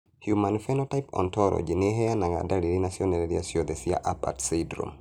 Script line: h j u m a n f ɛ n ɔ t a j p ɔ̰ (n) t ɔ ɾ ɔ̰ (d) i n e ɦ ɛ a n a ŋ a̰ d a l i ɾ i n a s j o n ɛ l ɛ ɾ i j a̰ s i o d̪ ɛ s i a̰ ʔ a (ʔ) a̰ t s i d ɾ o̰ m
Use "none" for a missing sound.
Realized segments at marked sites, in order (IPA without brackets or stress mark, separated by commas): n, d͡ʒ, p